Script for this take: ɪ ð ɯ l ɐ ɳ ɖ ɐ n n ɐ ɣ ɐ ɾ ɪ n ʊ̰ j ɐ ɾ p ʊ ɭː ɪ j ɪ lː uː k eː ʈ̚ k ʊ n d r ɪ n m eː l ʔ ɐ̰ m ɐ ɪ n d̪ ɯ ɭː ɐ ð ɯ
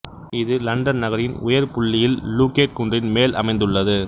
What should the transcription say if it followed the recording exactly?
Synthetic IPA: ɪ ð ɯ l ɐ ɳ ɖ ɐ n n ɐ ɣ ɐ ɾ ɪ n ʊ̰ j ɐ ɾ p ʊ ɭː ɪ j ɪ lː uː k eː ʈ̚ k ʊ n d r ɪ n m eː l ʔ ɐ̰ m ɐ ɪ n d̪ ɯ ɭː ɐ ð ɯ